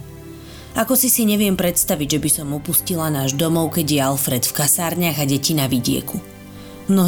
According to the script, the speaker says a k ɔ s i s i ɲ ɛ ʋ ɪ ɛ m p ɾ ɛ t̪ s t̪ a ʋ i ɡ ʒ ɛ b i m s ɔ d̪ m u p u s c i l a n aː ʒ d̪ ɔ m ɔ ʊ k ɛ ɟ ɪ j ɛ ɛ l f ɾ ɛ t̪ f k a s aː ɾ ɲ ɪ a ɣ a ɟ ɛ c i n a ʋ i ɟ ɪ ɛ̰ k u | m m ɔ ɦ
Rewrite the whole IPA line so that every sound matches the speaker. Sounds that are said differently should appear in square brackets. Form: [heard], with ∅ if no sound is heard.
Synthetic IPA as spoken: a k ɔ s i s i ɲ ɛ ʋ ɪ ɛ m p ɾ ɛ t̪ s t̪ a ʋ i [ɟ] ʒ ɛ b i [∅] s ɔ [∅] m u p u s c i l a n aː ʒ d̪ ɔ m ɔ ʊ k ɛ ɟ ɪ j ɛ [a] l f ɾ ɛ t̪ f k a s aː ɾ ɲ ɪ a ɣ a ɟ ɛ c i n a ʋ i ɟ ɪ ɛ̰ k u | m [n] ɔ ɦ